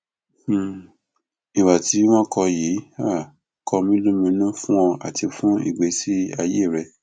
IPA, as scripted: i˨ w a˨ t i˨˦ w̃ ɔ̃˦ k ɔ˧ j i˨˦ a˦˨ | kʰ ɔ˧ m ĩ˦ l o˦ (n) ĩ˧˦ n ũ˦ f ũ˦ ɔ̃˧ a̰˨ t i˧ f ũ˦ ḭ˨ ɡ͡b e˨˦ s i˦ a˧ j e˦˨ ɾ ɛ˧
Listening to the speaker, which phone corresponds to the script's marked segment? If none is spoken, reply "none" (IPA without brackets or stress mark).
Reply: m